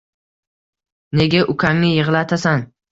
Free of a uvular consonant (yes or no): no